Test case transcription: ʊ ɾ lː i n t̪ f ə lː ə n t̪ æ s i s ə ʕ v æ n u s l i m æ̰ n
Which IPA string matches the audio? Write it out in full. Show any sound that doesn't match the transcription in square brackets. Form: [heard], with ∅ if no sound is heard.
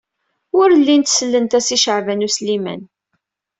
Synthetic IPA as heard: ʊ ɾ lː i n t̪ [s] ə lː ə n t̪ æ s i [ʃ] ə ʕ v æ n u s l i m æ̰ n